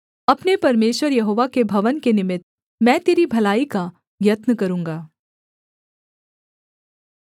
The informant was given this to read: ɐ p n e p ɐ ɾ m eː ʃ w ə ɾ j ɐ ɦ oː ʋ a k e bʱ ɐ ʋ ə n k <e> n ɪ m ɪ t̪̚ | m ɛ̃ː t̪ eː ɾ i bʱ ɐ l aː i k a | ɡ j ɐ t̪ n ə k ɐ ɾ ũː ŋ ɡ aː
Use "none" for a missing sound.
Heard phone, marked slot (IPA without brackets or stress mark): e